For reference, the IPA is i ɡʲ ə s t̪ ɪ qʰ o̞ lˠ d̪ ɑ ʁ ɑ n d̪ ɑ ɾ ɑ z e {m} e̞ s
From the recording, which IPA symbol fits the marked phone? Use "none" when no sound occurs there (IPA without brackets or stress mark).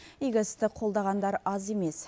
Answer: m